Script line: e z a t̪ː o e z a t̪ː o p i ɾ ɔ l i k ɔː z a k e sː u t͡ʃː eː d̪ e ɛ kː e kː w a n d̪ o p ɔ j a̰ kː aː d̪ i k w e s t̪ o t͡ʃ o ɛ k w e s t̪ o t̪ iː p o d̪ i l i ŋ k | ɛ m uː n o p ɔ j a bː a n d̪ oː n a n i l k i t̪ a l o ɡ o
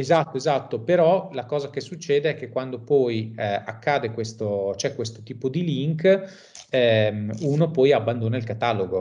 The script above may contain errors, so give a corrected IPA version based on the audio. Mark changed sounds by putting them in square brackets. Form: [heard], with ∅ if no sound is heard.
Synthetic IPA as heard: e z a t̪ː o e z a t̪ː o p [e] ɾ ɔ l [a] k ɔː z a k e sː u t͡ʃː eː d̪ e ɛ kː e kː w a n d̪ o p ɔ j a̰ kː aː d̪ [e] k w e s t̪ o t͡ʃ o ɛ k w e s t̪ o t̪ iː p o d̪ i l i ŋ k | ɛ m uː n o p ɔ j a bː a n d̪ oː n a [∅] i l k [a] t̪ a l o ɡ o